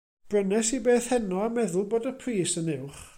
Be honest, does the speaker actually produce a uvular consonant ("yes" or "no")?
yes